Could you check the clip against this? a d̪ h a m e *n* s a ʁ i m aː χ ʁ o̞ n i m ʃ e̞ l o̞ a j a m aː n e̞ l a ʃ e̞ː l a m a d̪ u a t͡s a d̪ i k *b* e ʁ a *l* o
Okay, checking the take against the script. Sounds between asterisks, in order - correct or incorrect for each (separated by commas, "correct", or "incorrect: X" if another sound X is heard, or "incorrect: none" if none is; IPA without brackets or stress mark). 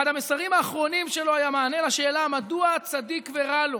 incorrect: none, incorrect: v, correct